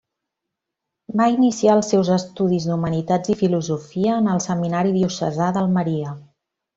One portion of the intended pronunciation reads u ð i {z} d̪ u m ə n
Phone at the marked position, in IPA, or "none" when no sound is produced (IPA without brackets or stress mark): z